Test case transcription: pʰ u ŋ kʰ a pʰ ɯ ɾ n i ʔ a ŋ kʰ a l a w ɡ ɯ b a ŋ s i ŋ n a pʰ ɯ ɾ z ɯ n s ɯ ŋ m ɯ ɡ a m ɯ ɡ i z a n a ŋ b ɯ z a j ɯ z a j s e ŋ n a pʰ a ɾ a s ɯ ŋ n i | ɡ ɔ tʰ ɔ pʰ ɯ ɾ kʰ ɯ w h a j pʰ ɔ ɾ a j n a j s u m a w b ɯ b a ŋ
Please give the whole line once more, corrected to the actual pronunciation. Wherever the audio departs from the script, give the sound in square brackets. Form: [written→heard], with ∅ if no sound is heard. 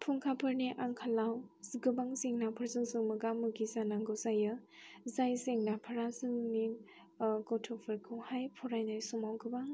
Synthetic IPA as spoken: pʰ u ŋ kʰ a pʰ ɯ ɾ n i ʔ a ŋ kʰ a l a w ɡ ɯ b a ŋ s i ŋ n a pʰ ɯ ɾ z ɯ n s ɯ ŋ m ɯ ɡ a m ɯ ɡ i z a n a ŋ [b→ɡ] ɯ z a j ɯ z a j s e ŋ n a pʰ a ɾ a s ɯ ŋ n i | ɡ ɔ tʰ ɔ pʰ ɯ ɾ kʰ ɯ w h a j pʰ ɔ ɾ a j n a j s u m a w [b→ɡ] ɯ b a ŋ